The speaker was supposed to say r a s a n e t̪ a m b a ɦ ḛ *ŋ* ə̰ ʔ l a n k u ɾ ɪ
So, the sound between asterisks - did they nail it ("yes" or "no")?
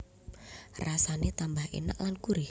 no